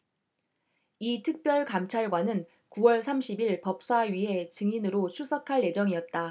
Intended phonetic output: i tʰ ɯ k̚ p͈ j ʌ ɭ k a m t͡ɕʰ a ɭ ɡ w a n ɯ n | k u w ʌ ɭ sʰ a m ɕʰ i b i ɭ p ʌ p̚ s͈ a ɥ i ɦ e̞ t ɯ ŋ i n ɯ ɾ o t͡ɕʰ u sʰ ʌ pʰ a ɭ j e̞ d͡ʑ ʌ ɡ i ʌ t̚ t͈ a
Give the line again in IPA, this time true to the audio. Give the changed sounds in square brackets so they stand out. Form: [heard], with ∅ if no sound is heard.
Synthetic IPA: i tʰ ɯ k̚ p͈ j ʌ ɭ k a m t͡ɕʰ a ɭ ɡ w a n ɯ n | k u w ʌ ɭ sʰ a m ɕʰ i b i ɭ p ʌ p̚ s͈ a ɥ i ɦ e̞ [t͡ɕ] ɯ ŋ i n ɯ ɾ o t͡ɕʰ u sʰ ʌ [kʰ] a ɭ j e̞ d͡ʑ ʌ [ŋ] i ʌ t̚ t͈ a